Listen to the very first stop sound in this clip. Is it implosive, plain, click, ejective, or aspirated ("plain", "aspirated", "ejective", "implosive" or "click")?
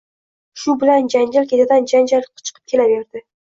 plain